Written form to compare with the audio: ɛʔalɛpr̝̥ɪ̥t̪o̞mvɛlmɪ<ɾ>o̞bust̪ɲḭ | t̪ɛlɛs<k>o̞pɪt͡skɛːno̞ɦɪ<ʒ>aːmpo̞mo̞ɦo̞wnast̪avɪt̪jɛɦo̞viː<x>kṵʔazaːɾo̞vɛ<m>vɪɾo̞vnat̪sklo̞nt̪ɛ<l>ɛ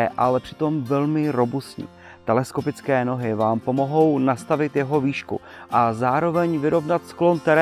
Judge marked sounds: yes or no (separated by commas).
yes, yes, no, no, no, no